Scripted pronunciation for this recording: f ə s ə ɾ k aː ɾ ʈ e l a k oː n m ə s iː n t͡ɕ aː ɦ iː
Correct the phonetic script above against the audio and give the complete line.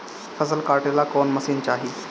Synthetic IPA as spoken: f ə s ə l k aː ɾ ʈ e l a k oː n m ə s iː n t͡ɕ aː ɦ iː